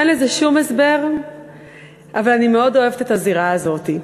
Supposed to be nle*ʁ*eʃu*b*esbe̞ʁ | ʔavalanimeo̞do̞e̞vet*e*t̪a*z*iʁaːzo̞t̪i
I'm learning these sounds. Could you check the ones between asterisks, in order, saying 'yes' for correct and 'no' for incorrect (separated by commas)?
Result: no, no, yes, yes